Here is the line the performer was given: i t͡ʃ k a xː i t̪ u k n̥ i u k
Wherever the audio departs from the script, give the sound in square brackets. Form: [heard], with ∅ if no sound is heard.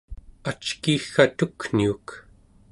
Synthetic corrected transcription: [a] t͡ʃ k [i] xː [a] t̪ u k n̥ i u k